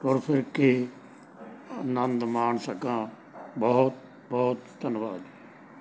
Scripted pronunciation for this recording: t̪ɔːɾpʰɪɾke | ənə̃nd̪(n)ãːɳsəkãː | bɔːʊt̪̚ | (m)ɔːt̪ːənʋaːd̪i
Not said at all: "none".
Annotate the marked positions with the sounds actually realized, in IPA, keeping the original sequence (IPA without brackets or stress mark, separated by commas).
m, b